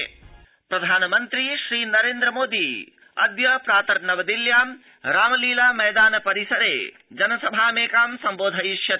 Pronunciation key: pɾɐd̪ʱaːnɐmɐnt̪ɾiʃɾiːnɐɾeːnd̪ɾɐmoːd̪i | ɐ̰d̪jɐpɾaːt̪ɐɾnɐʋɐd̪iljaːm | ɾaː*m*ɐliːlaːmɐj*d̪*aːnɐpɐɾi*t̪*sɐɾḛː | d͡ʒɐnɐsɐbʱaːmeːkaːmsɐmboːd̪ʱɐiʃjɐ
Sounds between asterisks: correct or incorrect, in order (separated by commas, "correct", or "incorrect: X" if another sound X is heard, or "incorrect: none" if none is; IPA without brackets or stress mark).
correct, correct, incorrect: none